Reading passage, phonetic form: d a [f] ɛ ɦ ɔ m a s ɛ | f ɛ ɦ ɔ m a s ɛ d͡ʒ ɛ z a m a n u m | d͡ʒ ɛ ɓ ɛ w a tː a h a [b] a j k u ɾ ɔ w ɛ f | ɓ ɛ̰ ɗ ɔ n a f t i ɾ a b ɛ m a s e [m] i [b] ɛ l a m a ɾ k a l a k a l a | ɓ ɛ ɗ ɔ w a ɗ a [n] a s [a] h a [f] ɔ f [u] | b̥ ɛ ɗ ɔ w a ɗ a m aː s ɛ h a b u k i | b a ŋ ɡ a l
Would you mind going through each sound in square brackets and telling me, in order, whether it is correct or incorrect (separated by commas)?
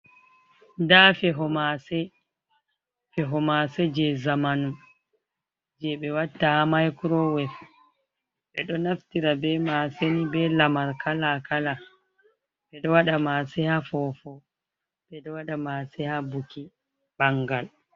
correct, incorrect, incorrect, correct, incorrect, incorrect, correct, incorrect